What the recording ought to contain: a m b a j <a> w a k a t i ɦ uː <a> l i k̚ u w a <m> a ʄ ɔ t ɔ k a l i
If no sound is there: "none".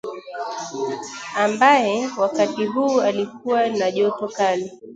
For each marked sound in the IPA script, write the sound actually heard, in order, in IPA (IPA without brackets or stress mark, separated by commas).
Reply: ɛ, a, n